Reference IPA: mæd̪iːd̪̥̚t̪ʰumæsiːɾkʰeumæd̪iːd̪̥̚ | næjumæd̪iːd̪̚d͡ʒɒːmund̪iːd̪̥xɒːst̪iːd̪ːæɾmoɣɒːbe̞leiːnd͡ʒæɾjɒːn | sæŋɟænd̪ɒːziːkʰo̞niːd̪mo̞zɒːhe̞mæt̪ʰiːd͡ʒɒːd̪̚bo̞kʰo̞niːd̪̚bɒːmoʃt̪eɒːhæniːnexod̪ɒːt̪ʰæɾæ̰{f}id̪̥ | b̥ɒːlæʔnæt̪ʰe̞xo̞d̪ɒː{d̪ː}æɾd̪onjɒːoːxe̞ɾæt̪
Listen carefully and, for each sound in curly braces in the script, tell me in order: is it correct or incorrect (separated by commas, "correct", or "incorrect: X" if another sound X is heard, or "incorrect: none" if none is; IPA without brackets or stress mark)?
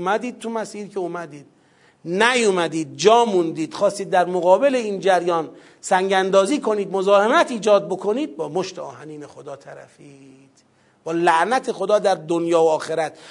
correct, incorrect: d̪